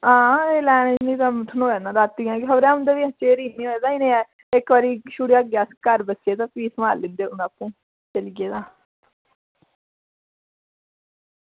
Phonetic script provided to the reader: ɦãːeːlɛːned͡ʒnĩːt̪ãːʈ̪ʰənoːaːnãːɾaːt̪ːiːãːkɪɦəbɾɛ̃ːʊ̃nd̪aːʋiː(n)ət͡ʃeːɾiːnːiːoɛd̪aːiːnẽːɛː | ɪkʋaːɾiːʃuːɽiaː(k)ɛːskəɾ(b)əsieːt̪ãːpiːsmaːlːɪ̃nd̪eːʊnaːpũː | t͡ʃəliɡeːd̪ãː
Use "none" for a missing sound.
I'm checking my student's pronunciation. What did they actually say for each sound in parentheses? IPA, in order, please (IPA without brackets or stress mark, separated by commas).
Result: none, ɡ, b